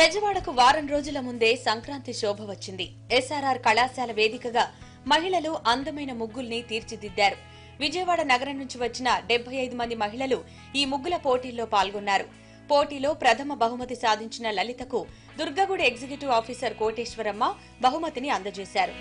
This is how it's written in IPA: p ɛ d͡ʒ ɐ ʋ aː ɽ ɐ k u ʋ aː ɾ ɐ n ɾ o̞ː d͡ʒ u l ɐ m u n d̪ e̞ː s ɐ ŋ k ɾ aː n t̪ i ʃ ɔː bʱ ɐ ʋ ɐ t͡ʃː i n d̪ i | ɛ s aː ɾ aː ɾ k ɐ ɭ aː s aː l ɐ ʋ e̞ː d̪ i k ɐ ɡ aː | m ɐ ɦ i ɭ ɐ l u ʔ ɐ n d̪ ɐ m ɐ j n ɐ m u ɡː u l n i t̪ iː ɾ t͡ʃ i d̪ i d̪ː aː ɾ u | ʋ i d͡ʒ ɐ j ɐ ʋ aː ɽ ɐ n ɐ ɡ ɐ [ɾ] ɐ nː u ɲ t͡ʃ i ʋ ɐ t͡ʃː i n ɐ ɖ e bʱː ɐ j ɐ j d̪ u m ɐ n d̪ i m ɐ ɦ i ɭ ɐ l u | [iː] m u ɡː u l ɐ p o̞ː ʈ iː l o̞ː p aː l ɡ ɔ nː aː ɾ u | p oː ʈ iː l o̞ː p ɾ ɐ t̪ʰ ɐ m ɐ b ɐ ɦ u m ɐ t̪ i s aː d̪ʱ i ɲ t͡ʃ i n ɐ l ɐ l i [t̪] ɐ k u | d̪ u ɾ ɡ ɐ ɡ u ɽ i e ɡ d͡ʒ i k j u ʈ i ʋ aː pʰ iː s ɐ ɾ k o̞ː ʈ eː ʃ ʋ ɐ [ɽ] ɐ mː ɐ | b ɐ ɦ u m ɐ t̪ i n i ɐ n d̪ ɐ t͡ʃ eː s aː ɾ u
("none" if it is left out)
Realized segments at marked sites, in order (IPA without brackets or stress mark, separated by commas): ɾ, iː, t̪, ɾ